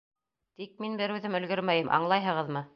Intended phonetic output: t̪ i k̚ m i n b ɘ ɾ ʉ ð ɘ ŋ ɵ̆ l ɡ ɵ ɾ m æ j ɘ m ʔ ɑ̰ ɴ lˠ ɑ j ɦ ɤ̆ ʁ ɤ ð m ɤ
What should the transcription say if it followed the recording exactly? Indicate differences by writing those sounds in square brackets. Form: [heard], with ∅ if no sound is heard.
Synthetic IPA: t̪ i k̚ m i n b ɘ ɾ ʉ ð ɘ [m] ɵ̆ l ɡ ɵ ɾ m æ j ɘ m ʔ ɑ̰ ɴ lˠ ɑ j ɦ ɤ̆ ʁ ɤ ð m ɤ